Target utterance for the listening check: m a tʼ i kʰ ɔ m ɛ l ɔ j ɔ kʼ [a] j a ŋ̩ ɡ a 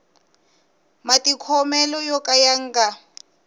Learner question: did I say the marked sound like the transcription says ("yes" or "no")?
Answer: yes